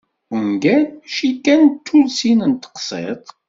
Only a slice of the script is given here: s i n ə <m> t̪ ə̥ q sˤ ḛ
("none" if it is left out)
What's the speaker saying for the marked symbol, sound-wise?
n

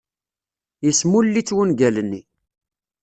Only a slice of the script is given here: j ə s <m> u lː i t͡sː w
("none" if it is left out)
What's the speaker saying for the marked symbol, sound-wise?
m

